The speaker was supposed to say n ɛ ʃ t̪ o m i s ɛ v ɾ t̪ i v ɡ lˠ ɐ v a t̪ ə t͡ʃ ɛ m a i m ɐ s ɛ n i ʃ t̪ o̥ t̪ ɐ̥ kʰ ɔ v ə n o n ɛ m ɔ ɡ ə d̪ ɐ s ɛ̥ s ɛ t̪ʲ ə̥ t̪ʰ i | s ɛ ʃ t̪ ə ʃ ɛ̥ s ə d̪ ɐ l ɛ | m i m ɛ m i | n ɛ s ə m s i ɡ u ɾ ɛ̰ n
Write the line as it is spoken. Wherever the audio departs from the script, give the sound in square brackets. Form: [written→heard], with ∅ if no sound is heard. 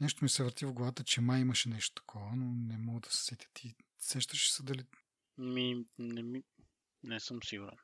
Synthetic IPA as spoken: n ɛ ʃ t̪ o m i s ɛ v ɾ t̪ i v ɡ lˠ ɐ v a t̪ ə t͡ʃ ɛ m a i m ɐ [s→ʃ] ɛ n [i→ɛ] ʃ t̪ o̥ t̪ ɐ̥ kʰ ɔ v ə n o n ɛ m ɔ ɡ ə d̪ ɐ s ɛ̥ s ɛ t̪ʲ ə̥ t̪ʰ i | s ɛ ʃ t̪ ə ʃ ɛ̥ s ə d̪ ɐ l [ɛ→i] | m i [m→n] ɛ m i | n ɛ s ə m s i ɡ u ɾ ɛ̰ n